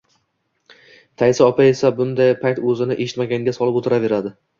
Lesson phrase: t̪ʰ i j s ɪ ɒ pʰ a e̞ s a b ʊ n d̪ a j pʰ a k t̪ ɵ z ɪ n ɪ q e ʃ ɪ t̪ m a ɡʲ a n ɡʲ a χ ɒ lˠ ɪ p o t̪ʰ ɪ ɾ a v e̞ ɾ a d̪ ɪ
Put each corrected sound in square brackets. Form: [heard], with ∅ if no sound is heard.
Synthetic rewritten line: t̪ʰ [a] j s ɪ ɒ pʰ a e̞ s a b ʊ n d̪ a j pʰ a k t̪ ɵ z ɪ n ɪ [ʔ] e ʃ ɪ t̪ m a ɡʲ a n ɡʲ a [s] ɒ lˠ ɪ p o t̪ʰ ɪ ɾ a v e̞ ɾ a d̪ ɪ